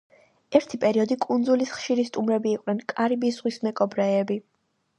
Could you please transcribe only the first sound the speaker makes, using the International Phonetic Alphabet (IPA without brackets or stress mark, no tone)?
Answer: ɛ